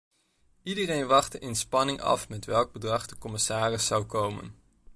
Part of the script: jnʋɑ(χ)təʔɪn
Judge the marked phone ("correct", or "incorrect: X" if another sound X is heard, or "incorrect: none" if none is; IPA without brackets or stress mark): correct